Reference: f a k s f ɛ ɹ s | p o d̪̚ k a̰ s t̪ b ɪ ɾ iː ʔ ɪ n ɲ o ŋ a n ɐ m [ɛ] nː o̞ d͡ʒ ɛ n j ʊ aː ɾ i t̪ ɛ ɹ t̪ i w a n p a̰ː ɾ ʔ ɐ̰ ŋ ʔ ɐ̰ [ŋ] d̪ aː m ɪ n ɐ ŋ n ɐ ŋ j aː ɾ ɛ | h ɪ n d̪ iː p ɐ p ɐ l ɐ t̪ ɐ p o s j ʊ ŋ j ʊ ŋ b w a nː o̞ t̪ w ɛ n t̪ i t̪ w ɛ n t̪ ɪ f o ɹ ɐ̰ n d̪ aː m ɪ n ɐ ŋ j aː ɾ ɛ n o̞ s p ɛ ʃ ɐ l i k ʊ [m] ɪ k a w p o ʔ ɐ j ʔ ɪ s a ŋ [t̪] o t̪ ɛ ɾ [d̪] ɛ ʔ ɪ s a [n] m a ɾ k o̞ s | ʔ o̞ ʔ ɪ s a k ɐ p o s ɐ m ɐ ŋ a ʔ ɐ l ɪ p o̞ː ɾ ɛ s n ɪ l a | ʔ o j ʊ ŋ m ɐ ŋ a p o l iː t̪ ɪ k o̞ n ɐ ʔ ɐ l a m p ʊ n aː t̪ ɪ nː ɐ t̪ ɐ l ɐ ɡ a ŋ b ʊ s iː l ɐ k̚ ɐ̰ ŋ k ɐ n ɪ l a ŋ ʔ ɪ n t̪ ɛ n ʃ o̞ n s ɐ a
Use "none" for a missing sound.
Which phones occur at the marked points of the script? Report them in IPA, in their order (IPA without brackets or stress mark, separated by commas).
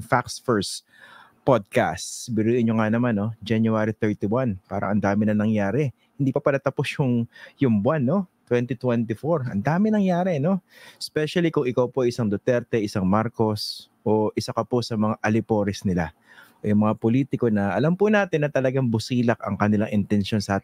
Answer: a, n, ŋ, d̪, t̪, ŋ